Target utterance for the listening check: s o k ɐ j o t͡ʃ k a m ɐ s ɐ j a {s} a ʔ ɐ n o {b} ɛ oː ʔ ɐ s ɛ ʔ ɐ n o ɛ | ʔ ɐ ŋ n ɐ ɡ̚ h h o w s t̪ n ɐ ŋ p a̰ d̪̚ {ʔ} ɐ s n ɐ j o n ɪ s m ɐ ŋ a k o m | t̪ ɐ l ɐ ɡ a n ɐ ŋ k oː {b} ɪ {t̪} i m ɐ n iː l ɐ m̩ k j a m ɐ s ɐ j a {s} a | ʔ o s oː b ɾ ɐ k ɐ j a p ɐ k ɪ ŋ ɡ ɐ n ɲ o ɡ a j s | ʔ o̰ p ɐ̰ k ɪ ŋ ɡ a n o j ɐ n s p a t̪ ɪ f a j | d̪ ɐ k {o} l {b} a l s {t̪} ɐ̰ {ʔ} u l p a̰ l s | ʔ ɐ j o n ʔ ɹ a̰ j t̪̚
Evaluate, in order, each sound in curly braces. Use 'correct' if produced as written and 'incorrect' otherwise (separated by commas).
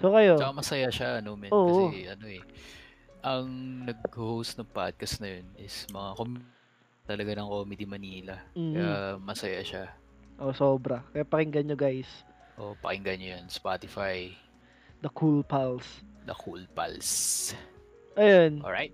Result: incorrect, incorrect, incorrect, incorrect, incorrect, incorrect, incorrect, incorrect, incorrect, incorrect